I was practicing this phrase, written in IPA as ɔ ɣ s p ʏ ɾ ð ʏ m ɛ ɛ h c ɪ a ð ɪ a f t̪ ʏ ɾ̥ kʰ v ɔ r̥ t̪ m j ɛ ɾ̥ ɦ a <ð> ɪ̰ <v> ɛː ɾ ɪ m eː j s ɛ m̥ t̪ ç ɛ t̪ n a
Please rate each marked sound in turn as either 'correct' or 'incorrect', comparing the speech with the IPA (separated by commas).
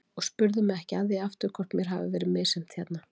incorrect, correct